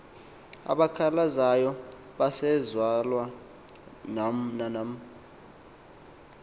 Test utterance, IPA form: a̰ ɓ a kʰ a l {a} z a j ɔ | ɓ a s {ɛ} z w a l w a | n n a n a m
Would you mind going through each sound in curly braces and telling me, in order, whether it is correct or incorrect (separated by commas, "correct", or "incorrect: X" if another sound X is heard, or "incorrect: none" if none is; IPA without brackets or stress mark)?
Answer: correct, correct